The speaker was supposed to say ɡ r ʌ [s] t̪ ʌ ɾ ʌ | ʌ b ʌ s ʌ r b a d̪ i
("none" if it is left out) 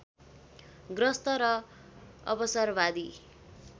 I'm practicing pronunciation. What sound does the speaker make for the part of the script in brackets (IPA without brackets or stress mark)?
s